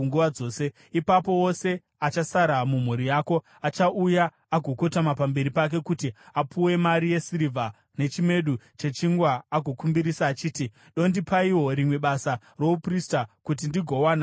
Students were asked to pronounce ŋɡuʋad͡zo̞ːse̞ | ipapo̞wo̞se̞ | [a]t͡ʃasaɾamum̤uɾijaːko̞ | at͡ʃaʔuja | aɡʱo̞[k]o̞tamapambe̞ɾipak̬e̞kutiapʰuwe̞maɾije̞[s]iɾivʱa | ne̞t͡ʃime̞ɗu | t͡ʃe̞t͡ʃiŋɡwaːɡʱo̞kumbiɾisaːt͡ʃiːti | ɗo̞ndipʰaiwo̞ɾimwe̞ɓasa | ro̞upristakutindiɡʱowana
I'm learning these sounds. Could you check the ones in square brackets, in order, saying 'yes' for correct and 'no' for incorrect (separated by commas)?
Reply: yes, yes, yes